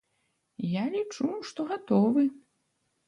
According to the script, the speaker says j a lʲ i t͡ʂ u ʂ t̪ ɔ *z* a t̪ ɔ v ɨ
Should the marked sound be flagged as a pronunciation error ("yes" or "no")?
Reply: yes